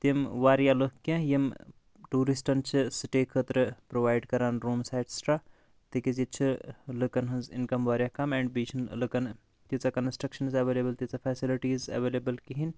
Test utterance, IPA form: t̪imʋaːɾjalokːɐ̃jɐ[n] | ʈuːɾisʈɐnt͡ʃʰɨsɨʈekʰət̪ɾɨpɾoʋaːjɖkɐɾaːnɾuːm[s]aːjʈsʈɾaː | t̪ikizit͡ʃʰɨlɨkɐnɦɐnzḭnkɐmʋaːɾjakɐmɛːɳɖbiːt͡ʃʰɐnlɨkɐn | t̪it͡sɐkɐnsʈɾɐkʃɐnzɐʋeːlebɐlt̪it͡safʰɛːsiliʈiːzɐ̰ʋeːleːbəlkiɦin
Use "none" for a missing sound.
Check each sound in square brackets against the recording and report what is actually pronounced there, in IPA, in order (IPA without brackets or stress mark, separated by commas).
m, s